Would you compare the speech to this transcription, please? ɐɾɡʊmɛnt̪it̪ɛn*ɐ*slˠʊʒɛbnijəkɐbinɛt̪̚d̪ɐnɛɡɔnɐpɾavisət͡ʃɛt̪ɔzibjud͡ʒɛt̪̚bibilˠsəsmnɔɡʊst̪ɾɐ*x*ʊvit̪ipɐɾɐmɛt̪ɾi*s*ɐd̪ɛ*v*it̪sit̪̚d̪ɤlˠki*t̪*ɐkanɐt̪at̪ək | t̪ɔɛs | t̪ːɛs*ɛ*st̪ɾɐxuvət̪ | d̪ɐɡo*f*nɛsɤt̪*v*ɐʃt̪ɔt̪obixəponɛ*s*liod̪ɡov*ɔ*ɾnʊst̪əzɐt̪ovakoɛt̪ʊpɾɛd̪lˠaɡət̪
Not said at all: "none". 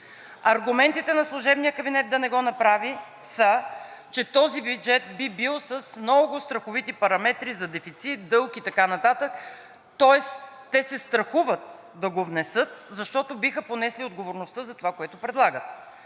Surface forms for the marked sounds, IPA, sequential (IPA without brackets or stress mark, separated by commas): ɐ, x, z, f, t̪, ɛ, v, z, s, o